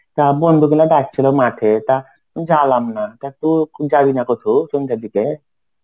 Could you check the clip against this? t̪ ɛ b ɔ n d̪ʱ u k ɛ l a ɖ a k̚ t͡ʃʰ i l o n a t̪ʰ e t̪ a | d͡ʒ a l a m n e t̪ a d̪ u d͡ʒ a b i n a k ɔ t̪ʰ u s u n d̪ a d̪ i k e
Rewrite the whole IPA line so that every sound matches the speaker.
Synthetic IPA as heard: t̪ a b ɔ n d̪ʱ u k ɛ l a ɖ a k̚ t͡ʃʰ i l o m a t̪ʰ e t̪ a | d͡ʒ a l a m n a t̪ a t̪ u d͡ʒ a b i n a k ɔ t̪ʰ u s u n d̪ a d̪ i k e